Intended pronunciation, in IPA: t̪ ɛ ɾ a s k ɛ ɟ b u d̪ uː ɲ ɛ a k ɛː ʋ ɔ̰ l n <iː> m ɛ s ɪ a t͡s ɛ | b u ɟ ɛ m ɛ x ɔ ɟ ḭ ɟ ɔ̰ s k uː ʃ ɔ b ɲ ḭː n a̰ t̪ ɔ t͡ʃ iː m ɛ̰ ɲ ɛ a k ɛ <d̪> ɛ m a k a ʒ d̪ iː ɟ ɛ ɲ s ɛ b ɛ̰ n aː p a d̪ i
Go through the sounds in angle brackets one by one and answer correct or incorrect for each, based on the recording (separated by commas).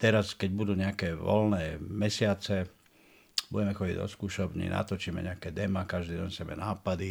incorrect, correct